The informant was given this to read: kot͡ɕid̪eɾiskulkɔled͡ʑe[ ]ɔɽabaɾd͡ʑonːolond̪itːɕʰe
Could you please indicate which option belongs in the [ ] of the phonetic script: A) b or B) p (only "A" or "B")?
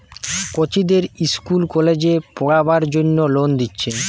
B